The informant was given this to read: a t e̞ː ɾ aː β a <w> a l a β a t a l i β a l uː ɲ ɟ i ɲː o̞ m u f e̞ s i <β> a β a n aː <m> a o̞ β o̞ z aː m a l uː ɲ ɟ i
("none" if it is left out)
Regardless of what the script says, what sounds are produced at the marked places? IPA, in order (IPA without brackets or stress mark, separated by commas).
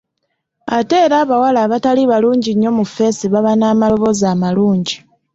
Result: w, β, m